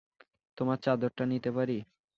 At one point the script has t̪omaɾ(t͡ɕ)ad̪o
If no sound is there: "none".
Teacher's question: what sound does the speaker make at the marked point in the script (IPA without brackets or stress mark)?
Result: t͡ɕ